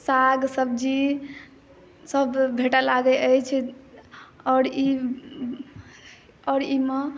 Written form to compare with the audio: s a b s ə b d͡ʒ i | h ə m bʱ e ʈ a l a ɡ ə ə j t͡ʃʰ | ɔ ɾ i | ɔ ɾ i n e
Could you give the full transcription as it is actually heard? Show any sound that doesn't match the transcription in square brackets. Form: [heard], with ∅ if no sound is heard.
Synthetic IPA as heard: s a [ɡ] s ə b d͡ʒ i | [s] ə [b] bʱ e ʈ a l a ɡ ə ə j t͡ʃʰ | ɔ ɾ i | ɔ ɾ i [m] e